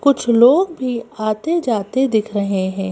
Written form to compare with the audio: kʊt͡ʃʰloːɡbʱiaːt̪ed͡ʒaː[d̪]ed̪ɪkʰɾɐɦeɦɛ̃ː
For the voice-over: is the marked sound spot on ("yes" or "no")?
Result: no